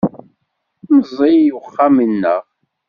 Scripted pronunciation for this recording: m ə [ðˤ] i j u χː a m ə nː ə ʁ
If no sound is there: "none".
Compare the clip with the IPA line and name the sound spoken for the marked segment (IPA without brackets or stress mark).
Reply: zˤ